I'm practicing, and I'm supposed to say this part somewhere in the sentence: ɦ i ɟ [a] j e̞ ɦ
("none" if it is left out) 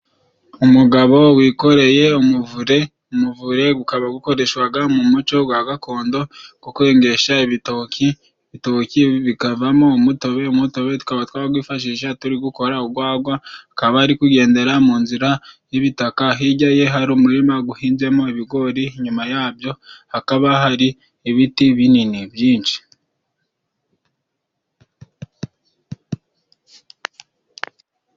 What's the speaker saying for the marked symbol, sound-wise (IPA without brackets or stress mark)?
a